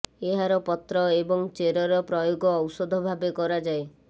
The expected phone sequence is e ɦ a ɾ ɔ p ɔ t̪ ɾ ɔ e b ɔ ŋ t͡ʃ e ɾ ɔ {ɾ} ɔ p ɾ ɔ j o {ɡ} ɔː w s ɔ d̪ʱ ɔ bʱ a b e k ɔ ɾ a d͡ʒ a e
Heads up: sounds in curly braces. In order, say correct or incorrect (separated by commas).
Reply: correct, correct